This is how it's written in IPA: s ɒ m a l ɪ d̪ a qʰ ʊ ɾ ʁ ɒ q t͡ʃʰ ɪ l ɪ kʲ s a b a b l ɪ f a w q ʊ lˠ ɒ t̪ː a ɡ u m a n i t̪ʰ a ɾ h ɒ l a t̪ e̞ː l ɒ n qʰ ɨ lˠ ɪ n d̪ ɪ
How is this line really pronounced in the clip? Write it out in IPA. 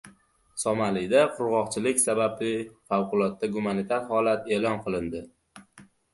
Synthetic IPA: s ɒ m a l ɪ d̪ a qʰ ʊ ɾ ʁ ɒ q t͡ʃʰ ɪ l ɪ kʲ s a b a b l ɪ f a w q ʊ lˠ ɒ t̪ː a ɡ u m a n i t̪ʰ a ɾ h ɒ l a t̪ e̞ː l ɒ n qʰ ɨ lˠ ɪ n d̪ ɪ